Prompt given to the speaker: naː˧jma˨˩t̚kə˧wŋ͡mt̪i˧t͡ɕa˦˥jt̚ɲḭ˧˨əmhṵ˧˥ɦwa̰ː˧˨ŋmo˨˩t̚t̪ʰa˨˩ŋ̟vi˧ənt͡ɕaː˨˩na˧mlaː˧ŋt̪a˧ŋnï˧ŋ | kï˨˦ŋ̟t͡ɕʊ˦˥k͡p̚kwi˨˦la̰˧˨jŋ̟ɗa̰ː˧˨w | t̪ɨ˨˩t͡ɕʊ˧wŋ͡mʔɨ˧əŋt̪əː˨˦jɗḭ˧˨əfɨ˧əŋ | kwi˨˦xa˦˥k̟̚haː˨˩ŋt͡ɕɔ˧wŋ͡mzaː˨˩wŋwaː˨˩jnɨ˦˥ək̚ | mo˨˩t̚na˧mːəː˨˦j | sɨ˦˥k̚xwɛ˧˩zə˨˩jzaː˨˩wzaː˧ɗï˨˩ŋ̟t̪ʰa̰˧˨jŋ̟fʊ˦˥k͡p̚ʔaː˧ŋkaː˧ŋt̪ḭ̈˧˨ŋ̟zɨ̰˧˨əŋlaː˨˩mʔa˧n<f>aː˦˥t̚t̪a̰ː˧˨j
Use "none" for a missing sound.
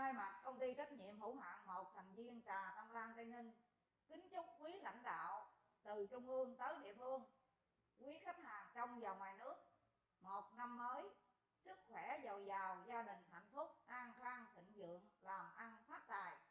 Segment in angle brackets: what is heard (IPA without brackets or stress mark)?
f